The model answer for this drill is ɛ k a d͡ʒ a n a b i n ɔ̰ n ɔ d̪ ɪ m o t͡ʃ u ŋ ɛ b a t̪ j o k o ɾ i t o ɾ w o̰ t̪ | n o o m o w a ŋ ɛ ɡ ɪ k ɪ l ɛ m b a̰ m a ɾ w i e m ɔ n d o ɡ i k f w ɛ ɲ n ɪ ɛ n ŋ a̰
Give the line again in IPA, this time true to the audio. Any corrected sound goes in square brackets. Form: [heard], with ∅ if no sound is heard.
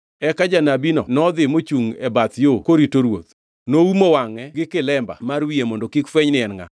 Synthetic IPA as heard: ɛ k a d͡ʒ a n a b i n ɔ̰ n ɔ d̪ ɪ m o t͡ʃ u ŋ ɛ b a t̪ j o k o ɾ i t o ɾ w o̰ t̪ | n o [u] m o w a ŋ ɛ ɡ ɪ k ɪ l ɛ m b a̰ m a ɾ w i e m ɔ n d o [k] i k f w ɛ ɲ n ɪ ɛ n ŋ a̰

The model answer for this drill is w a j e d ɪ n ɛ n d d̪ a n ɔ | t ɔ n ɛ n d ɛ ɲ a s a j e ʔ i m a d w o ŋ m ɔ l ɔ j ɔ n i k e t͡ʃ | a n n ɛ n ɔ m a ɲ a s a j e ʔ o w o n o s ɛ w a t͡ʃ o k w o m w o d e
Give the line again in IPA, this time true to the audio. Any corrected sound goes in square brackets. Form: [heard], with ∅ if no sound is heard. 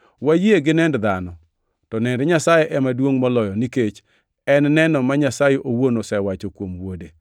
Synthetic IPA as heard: w a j e [ɡ] ɪ n ɛ n d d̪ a n ɔ | t ɔ n ɛ n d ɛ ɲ a s a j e ʔ [ɛ] m a d w o ŋ m ɔ l ɔ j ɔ n i k e t͡ʃ | [ɛ] n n ɛ n ɔ m a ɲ a s a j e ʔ o w o n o s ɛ w a t͡ʃ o k w o m w o d e

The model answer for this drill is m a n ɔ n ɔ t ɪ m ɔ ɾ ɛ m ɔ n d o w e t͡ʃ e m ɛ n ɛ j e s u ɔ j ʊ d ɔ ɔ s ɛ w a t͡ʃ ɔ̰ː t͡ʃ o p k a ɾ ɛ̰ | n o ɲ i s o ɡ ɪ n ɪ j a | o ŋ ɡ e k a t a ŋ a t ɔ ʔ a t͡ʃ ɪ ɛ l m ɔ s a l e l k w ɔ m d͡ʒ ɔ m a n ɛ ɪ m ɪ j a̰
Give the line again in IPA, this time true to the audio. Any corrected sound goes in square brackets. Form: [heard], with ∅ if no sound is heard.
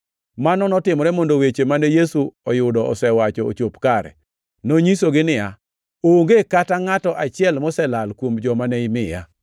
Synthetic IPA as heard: m a n ɔ n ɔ t ɪ m ɔ ɾ ɛ m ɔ n d o w e t͡ʃ e m [a] n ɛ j e s u ɔ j ʊ d ɔ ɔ s ɛ w a t͡ʃ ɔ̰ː t͡ʃ o p k a ɾ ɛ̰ | n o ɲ i s o ɡ ɪ n ɪ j a | o ŋ ɡ e k a t a ŋ a t ɔ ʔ a t͡ʃ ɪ ɛ l m ɔ s [ɛ] l [a] l k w [o] m d͡ʒ ɔ m a n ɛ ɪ m ɪ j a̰

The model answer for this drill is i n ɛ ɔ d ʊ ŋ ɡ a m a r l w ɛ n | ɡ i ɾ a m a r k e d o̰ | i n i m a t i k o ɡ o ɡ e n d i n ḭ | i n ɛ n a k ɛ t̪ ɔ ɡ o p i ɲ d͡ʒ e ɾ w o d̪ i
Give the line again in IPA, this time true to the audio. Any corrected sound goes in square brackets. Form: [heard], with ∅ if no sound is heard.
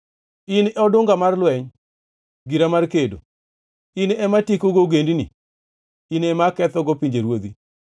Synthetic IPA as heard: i n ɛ ɔ d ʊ ŋ ɡ a m a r l w ɛ [ɲ] | ɡ i ɾ a m a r k e d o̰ | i n [ɛ] m a t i k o ɡ o ɡ e n d i n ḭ | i n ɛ [m] a k ɛ t̪ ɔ ɡ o p i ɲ d͡ʒ e ɾ w o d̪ i

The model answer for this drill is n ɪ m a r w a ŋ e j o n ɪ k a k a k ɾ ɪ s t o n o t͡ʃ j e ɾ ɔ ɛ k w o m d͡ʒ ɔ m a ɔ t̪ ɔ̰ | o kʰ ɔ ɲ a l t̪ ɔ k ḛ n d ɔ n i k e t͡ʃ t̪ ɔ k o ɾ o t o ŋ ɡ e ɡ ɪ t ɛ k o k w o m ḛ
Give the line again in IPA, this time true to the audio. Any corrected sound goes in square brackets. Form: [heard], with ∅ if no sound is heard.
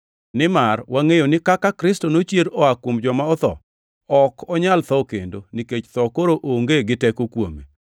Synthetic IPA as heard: n ɪ m a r w a ŋ e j o n ɪ k a k a k ɾ ɪ s t o n o t͡ʃ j e ɾ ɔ [a] k w o m d͡ʒ ɔ m a ɔ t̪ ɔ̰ | [ɔ] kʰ ɔ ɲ a l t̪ ɔ k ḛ n d [o] n i k e t͡ʃ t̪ ɔ k o ɾ o [ʔ] o ŋ ɡ e ɡ ɪ t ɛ k o k w o m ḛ

